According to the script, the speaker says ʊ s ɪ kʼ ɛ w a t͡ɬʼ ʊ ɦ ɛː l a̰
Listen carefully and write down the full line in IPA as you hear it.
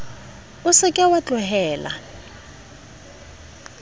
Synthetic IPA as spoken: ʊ s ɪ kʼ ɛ w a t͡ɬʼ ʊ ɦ ɛː l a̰